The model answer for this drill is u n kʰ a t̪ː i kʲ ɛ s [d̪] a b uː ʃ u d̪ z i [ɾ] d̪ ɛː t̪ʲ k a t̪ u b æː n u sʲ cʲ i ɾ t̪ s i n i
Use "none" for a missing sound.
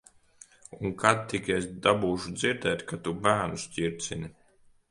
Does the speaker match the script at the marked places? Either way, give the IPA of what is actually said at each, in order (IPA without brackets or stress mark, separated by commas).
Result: d̪, ɾ